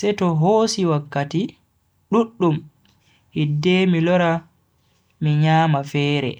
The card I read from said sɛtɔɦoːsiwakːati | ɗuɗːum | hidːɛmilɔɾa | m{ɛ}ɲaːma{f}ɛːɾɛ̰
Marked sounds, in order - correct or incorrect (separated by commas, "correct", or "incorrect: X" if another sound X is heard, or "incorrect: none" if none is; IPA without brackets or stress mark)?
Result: incorrect: i, correct